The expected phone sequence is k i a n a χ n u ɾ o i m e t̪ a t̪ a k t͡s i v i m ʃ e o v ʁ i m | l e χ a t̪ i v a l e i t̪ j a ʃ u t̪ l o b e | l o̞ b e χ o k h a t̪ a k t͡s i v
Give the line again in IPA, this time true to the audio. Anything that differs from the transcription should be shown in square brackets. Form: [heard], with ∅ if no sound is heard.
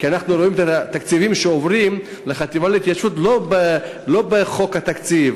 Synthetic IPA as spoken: k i a n a χ n u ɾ o i m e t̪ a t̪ a k t͡s i v i m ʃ e o v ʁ i m | l e χ a t̪ i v a l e i t̪ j a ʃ u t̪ l o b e | l o̞ b e χ o k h a t̪ a k t͡s i v